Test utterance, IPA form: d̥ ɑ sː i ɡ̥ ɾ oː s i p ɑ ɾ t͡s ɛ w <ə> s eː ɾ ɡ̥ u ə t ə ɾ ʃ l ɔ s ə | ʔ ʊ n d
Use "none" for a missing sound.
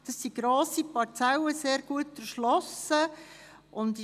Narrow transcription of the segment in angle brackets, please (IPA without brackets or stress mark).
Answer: ə